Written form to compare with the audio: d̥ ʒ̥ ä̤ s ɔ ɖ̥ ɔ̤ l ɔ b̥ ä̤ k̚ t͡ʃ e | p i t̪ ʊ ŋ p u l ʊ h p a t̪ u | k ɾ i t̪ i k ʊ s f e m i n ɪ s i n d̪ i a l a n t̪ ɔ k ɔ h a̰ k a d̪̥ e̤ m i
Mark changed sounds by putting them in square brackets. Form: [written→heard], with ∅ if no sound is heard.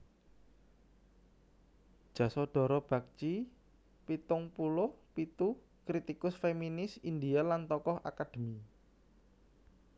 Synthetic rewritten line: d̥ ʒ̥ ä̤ s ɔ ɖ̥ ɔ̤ [l→ɾ] ɔ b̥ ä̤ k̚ t͡ʃ [e→i] | p i t̪ ʊ ŋ p u l ʊ h p [a→i] t̪ u | k ɾ i t̪ i k ʊ s f e m i n ɪ s i n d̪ i a l a n t̪ ɔ k ɔ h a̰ k a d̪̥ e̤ m i